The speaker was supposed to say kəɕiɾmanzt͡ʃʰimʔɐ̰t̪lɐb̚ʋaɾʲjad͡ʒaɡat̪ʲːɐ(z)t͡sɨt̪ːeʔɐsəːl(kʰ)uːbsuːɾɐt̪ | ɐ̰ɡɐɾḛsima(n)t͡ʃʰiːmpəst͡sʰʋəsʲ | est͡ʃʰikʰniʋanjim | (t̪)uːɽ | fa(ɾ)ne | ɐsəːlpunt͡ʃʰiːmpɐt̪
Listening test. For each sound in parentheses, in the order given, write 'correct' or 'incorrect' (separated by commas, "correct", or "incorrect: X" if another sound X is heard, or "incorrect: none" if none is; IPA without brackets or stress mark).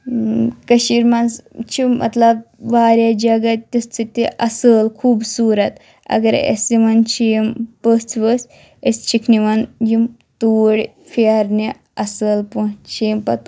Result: incorrect: s, correct, correct, correct, correct